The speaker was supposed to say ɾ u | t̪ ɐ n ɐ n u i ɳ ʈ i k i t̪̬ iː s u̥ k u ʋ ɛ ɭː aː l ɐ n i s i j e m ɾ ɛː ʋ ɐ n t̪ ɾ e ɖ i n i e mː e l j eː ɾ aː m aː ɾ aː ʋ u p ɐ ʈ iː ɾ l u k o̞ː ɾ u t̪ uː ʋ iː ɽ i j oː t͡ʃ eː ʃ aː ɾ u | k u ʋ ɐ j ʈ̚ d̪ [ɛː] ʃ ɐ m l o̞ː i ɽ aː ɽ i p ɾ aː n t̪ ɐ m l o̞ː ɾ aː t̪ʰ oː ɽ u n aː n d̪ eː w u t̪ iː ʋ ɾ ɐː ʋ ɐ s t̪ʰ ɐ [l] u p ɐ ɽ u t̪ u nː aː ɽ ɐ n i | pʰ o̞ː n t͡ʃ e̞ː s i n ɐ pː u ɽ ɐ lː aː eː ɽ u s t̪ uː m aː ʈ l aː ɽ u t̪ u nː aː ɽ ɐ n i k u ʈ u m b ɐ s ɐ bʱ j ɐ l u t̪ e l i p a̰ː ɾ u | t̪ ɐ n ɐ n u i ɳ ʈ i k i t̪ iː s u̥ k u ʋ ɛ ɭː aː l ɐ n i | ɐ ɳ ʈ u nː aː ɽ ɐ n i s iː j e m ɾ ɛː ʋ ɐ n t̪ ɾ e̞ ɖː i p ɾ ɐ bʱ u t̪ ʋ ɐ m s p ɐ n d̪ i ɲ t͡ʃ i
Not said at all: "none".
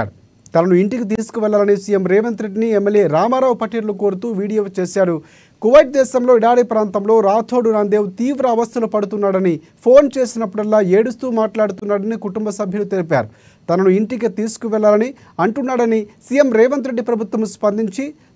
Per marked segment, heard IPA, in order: ɛː, l

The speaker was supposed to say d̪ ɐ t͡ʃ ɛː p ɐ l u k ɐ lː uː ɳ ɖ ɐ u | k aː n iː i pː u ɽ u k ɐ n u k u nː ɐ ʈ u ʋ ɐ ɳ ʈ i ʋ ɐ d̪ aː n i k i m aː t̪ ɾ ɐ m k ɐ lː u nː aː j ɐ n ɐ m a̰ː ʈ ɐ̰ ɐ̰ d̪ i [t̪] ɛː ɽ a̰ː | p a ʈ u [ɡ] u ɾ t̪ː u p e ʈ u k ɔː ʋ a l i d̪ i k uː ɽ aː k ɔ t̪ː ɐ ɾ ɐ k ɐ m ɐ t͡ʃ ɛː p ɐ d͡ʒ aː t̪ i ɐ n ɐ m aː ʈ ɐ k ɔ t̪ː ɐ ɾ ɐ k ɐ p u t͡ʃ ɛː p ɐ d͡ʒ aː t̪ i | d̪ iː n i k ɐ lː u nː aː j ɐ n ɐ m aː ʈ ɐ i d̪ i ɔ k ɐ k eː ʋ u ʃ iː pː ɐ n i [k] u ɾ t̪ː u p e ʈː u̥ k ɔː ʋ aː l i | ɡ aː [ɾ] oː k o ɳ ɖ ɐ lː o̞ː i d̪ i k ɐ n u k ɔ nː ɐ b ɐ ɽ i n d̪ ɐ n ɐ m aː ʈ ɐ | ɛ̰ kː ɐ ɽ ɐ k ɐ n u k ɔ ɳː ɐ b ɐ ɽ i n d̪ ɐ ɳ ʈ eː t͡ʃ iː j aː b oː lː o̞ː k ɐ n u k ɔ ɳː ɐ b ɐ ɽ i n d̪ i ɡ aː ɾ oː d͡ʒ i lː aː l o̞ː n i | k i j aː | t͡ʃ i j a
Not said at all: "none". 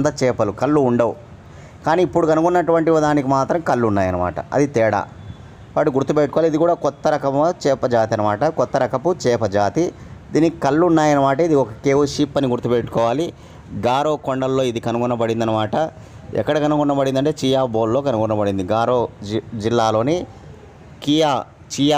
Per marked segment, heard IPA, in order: t̪, ɡ, ɡ, ɾ

